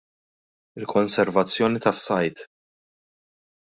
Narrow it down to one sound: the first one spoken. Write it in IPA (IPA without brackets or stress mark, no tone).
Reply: ɪ